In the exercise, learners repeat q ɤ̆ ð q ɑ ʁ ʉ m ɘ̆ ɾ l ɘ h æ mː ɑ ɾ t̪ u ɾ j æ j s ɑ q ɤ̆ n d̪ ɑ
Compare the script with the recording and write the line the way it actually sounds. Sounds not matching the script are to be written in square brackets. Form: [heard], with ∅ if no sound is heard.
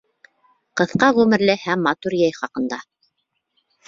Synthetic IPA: q ɤ̆ [θ] q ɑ ʁ ʉ m ɘ̆ ɾ l ɘ h æ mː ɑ [∅] t̪ u ɾ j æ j [χ] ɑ q ɤ̆ n d̪ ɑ